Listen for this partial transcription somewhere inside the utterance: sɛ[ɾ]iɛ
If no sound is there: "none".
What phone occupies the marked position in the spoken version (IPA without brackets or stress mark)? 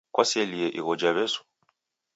l